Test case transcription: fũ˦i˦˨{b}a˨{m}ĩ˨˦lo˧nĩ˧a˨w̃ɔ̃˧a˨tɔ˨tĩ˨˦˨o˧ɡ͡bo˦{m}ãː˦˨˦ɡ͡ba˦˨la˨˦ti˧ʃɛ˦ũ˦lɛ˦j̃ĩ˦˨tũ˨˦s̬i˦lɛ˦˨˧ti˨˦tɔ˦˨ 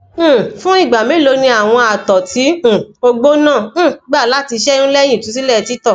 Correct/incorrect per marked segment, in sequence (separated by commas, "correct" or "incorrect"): incorrect, correct, incorrect